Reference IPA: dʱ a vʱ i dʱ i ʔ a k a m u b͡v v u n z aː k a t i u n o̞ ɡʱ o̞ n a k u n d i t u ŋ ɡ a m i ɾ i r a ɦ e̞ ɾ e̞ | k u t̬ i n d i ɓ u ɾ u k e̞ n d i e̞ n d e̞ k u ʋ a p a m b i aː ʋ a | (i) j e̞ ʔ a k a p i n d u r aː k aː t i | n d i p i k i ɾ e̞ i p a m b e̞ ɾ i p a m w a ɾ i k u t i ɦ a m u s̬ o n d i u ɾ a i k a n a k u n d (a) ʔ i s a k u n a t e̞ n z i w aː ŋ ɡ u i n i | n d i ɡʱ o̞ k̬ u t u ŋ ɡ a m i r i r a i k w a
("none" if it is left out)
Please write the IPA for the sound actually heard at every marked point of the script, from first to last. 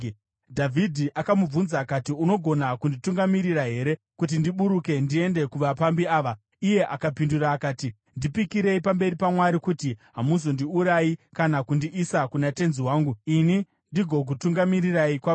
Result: i, i

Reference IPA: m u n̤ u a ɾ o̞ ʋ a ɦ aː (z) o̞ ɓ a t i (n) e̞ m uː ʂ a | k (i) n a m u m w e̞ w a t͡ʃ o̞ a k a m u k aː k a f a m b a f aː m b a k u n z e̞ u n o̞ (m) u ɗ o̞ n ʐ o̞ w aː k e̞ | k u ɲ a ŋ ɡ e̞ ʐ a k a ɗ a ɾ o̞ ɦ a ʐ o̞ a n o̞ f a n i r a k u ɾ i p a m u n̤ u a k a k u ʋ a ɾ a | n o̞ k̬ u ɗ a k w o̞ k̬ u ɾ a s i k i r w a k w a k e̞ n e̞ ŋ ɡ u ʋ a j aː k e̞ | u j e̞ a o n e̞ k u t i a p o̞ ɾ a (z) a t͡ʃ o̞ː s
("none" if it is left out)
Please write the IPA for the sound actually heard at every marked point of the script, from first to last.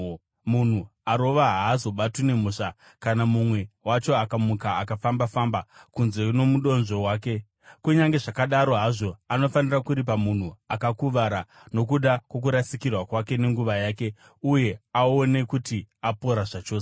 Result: z, n, a, m, ʐ

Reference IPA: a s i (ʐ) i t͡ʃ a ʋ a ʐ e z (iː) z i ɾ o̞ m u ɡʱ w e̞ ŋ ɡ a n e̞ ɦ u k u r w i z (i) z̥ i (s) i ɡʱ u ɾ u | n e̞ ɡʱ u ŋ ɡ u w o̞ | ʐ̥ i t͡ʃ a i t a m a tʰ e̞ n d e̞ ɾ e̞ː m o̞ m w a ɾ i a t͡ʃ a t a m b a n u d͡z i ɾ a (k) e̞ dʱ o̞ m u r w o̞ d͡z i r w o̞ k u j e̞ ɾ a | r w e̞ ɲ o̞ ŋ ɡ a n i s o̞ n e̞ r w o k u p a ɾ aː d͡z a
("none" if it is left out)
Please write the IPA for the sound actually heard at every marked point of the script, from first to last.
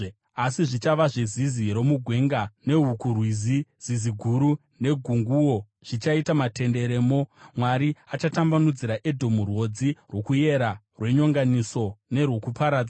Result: ʐ, i, i, z, ʔ

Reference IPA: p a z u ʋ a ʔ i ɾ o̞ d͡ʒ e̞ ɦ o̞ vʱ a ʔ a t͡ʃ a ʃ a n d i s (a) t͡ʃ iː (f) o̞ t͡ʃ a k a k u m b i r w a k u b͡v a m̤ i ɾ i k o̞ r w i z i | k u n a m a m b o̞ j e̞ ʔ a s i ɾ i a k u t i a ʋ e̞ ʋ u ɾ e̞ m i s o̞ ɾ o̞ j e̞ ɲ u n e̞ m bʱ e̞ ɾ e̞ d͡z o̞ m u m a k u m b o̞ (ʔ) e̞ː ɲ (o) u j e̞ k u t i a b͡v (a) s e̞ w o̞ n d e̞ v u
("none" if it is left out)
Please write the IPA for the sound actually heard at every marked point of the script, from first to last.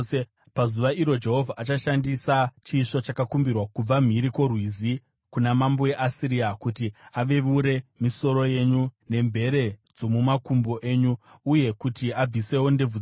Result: a, ʂ, ʔ, u, i

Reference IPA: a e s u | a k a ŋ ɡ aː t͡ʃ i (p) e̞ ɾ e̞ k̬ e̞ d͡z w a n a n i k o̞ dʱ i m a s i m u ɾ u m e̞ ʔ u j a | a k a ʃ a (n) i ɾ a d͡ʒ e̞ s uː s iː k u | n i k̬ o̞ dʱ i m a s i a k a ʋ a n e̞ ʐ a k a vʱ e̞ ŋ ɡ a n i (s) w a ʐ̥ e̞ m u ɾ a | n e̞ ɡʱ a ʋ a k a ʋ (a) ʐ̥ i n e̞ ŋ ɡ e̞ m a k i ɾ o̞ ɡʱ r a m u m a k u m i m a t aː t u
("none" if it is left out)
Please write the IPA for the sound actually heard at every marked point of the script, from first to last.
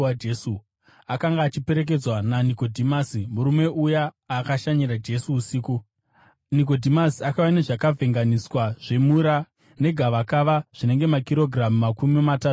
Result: p, ɲ, s, a

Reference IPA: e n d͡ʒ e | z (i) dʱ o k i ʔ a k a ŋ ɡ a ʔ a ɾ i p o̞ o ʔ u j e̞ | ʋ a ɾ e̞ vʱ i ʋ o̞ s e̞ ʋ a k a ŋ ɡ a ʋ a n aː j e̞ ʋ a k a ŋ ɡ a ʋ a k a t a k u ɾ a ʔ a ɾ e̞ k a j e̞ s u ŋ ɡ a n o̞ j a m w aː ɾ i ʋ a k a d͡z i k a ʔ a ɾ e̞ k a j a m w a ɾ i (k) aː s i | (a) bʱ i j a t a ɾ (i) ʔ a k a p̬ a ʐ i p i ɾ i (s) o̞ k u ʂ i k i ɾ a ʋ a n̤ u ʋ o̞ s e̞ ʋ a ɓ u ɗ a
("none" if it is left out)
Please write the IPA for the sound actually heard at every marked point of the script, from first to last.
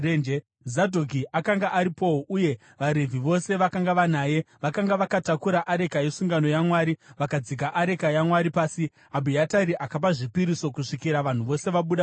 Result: a, p, a, i, s

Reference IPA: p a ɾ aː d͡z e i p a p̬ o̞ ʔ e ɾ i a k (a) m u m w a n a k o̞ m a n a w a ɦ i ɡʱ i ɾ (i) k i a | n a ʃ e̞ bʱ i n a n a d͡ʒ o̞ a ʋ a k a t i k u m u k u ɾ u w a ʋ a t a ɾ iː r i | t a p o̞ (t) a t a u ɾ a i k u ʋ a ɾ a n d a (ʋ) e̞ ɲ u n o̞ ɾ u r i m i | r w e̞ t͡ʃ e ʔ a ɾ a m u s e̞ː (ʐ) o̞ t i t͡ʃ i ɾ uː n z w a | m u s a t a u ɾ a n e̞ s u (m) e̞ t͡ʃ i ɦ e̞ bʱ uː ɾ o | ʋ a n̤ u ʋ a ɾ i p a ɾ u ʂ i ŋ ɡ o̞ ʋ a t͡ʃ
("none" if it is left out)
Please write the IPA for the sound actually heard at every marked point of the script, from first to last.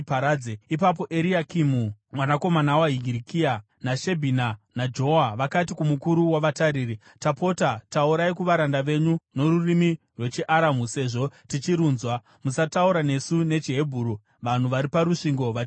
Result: i, i, t, ʋ, ʐ, n

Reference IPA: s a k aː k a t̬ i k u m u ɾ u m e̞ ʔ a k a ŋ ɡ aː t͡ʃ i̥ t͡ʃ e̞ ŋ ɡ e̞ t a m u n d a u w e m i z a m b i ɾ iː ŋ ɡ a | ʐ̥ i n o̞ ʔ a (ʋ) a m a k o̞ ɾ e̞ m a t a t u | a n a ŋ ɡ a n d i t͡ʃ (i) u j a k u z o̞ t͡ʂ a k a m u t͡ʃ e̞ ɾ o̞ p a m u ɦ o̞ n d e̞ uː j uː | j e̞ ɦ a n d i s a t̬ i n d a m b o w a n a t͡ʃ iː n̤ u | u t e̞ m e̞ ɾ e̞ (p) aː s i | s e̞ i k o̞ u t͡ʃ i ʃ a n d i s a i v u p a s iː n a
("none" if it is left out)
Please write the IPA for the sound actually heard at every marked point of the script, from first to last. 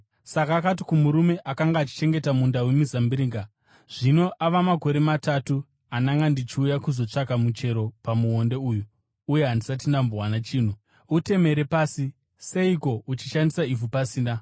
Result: ʋ, i, p

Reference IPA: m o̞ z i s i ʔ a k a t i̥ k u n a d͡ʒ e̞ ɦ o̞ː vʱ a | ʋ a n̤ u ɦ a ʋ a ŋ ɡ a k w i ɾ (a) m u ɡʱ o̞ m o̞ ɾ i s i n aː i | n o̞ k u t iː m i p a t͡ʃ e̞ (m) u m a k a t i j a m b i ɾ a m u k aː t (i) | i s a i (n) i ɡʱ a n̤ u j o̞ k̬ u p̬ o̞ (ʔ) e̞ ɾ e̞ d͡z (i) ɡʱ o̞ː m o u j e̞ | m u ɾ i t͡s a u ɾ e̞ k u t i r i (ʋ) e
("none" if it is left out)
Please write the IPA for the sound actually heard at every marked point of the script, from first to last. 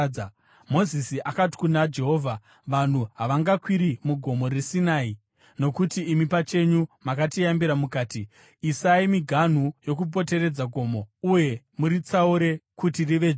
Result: i, ɲ, i, m, t, a, ʋ

